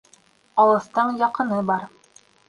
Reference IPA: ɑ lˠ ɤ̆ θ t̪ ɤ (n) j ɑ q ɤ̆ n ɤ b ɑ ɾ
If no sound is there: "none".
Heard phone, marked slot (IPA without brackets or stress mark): ɴ